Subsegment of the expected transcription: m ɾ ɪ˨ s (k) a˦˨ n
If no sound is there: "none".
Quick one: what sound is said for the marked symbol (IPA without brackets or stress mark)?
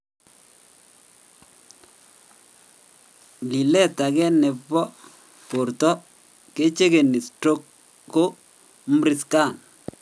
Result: k